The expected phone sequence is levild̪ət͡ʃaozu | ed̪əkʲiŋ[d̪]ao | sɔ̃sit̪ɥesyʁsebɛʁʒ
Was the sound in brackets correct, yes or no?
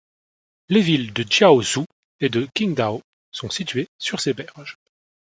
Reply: yes